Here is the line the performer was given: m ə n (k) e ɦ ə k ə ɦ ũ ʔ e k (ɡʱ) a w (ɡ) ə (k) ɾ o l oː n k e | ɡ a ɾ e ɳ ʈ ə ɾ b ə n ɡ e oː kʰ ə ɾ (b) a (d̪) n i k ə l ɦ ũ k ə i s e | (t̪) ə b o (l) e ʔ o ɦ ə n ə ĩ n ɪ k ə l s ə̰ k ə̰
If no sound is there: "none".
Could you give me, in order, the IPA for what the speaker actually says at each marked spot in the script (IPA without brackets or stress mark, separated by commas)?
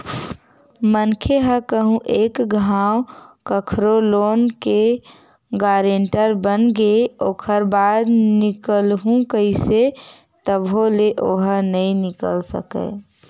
kʰ, ɡʱ, k, kʰ, b, d̪, t̪, l